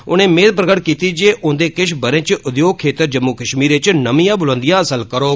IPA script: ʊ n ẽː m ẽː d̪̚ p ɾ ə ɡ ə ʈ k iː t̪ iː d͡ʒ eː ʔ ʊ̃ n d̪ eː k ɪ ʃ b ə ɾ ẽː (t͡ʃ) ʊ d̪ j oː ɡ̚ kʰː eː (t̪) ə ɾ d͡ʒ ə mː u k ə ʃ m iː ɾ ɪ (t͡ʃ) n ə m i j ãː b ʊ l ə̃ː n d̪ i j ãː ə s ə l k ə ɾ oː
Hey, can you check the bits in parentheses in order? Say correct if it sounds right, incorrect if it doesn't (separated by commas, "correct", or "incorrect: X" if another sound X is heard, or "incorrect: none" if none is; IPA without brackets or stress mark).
correct, correct, correct